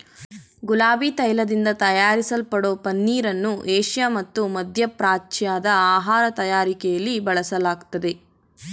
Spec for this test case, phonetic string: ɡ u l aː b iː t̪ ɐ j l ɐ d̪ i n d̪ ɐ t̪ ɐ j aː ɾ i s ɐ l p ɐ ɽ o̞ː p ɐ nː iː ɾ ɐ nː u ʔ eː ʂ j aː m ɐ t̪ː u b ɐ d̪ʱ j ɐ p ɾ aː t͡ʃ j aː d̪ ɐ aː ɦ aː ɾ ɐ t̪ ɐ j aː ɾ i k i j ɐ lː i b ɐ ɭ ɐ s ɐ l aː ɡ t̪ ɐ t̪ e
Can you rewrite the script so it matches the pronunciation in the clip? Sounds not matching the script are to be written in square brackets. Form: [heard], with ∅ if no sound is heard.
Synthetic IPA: ɡ u l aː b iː t̪ ɐ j l ɐ d̪ i n d̪ ɐ t̪ ɐ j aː ɾ i s ɐ l p ɐ ɽ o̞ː p ɐ nː iː ɾ ɐ nː u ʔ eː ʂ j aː m ɐ t̪ː u [m] ɐ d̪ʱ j ɐ p ɾ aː t͡ʃ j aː d̪ ɐ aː ɦ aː ɾ ɐ t̪ ɐ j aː ɾ i k [ɛ] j ɐ lː i b ɐ ɭ ɐ s ɐ l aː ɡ t̪ ɐ [d̪] e